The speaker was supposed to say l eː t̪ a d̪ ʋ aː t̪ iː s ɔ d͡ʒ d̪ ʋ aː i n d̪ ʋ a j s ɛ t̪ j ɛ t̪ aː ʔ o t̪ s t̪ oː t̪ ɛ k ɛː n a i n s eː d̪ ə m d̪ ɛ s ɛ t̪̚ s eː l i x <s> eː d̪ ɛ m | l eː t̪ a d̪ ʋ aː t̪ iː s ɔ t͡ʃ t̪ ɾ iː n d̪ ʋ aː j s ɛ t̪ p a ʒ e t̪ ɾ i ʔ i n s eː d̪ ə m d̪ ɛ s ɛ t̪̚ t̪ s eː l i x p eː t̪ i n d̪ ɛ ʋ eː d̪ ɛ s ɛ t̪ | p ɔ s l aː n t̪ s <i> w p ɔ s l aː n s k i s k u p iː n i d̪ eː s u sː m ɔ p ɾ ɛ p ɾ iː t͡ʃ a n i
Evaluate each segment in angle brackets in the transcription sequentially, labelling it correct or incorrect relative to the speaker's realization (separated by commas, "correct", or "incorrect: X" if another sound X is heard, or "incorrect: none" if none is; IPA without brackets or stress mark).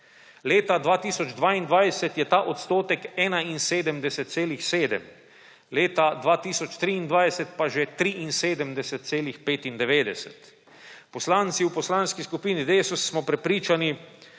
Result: correct, correct